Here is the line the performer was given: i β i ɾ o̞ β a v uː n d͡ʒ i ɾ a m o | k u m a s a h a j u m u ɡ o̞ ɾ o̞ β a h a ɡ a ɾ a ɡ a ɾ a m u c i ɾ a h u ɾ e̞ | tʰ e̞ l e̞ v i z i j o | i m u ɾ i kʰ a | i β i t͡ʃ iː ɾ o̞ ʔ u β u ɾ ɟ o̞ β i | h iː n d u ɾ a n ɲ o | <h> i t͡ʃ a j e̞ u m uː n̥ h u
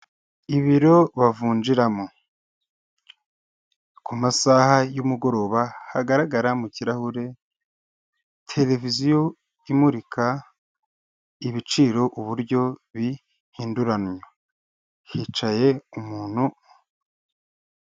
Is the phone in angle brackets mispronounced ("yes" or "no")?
no